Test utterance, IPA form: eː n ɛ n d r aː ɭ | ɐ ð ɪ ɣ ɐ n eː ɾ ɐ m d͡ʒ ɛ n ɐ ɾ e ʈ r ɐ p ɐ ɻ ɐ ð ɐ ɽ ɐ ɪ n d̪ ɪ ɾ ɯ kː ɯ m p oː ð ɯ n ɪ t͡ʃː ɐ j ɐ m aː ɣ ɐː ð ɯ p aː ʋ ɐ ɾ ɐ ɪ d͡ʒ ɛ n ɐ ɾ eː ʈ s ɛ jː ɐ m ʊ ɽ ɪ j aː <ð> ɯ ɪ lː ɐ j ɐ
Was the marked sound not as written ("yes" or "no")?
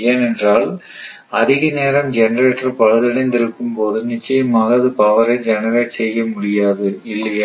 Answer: no